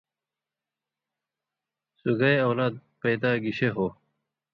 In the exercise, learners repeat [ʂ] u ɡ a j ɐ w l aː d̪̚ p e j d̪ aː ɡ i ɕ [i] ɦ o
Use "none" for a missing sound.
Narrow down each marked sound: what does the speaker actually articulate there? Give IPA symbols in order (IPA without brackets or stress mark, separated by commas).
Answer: s, e